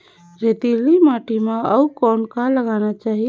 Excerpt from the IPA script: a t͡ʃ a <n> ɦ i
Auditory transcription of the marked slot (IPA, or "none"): none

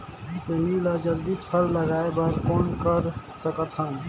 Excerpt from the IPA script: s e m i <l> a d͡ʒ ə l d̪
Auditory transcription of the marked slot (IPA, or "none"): l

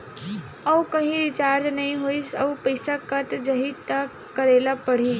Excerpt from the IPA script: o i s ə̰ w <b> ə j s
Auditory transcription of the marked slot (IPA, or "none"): p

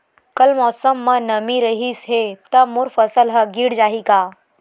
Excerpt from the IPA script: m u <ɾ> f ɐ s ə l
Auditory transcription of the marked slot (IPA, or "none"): ɾ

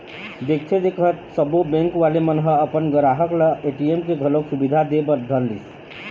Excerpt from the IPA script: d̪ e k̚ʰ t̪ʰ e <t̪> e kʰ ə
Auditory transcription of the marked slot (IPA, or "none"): d̪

